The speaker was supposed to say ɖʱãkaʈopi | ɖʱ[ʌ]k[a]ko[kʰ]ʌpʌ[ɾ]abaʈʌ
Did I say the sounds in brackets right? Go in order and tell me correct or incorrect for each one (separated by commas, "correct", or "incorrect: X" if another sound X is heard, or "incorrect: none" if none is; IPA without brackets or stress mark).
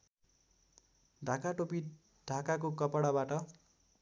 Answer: incorrect: a, correct, incorrect: k, incorrect: ɽ